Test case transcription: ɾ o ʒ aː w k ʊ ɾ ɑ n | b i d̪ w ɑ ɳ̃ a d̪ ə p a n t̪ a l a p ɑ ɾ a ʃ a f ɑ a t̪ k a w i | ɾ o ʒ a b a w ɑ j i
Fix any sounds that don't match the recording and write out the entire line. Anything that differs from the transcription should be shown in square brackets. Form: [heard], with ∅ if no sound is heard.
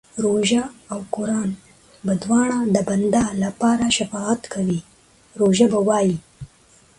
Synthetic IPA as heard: ɾ o ʒ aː w k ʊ ɾ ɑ n | b [a] d̪ w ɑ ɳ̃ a d̪ ə [b] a n [d̪] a l a p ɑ ɾ a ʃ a f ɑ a t̪ k a w i | ɾ o ʒ a b a w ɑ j i